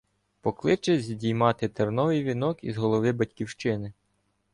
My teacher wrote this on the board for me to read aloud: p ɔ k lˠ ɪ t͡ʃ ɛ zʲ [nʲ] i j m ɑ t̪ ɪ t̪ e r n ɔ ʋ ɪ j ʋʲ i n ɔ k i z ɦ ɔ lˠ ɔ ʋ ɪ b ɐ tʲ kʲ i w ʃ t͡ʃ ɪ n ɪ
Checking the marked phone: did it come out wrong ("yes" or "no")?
yes